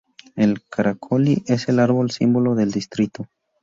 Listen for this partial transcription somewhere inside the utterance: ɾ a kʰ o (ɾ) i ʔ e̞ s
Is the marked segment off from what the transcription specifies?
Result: yes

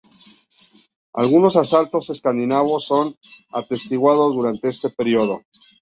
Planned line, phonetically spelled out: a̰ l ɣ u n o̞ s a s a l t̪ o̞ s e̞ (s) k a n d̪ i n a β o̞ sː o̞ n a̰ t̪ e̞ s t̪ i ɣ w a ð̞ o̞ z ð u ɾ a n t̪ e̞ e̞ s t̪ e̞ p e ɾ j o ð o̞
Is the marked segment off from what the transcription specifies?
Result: no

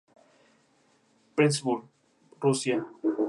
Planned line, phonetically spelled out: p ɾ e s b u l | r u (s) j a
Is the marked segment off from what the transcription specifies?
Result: no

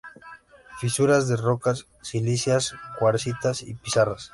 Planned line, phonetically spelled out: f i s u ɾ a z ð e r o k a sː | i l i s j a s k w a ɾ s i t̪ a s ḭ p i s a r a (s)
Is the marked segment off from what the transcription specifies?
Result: no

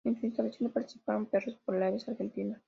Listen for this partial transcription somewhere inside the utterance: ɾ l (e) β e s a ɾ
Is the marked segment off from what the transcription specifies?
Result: yes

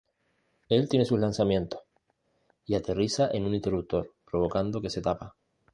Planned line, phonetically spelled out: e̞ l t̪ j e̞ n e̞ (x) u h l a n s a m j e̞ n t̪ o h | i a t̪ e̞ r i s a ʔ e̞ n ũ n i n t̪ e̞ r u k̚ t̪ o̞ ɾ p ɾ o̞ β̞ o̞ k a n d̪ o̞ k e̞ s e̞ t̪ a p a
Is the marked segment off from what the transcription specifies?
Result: yes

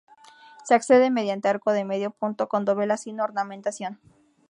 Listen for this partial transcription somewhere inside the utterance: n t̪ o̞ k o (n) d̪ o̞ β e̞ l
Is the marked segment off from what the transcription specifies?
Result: no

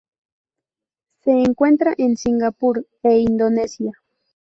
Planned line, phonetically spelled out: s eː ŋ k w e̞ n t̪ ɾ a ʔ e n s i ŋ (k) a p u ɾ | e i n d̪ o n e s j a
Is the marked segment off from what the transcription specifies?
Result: yes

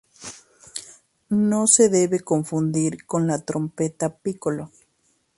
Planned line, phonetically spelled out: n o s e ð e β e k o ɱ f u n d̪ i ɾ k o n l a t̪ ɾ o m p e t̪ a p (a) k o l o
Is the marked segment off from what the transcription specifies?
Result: yes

